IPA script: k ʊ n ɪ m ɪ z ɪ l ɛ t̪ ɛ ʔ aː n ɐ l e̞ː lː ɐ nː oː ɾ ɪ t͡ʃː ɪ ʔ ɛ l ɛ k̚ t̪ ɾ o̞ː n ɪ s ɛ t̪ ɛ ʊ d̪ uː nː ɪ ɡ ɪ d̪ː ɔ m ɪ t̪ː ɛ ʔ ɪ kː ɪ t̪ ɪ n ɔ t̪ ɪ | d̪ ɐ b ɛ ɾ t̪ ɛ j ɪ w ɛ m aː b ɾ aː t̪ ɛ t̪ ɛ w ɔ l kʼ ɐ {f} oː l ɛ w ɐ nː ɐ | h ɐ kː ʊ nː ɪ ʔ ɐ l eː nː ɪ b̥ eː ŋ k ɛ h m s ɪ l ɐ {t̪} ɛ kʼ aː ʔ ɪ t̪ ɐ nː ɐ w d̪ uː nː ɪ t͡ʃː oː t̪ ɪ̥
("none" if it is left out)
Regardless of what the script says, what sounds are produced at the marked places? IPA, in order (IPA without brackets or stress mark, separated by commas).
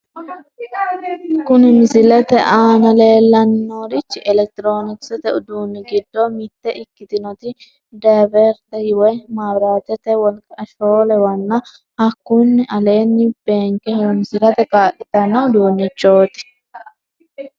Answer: ʃ, t̪